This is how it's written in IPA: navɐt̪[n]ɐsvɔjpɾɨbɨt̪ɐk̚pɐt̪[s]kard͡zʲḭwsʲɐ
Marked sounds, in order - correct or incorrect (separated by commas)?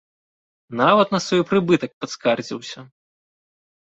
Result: correct, correct